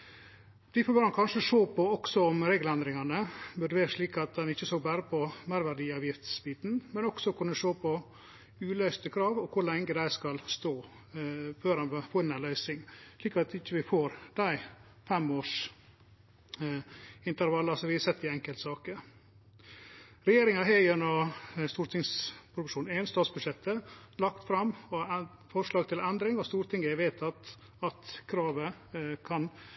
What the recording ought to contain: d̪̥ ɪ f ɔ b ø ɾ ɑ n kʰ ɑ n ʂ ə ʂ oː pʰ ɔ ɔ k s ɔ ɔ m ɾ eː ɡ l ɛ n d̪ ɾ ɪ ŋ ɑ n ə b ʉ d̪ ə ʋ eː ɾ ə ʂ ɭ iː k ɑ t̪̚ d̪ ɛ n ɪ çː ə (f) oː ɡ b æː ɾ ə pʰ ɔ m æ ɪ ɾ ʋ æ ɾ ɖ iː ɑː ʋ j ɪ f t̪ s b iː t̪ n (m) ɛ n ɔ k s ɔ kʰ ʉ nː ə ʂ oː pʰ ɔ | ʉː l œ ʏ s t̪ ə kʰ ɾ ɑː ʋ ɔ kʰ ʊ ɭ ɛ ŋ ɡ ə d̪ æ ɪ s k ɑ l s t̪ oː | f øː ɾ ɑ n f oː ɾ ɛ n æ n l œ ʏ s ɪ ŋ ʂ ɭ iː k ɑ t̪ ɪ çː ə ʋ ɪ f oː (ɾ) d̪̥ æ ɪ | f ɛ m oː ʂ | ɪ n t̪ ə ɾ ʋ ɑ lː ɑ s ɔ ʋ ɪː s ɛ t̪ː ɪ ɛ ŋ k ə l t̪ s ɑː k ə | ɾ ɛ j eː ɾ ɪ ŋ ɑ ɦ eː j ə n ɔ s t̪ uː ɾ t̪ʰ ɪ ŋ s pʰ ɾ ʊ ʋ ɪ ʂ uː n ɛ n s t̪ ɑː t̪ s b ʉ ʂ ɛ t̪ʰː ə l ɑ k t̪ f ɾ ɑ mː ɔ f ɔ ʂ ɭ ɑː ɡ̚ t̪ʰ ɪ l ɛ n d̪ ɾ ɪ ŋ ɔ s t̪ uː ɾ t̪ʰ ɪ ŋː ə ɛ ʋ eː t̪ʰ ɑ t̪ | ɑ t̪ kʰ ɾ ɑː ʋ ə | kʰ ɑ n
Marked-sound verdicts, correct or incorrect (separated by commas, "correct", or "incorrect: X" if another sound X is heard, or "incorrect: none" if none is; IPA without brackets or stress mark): incorrect: s, correct, correct